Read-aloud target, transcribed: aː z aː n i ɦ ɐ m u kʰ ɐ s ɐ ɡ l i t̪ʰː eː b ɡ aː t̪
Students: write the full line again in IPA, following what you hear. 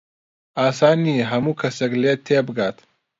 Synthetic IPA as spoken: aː s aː n i ɦ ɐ m u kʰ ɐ s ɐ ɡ l e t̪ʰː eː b ɡ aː t̪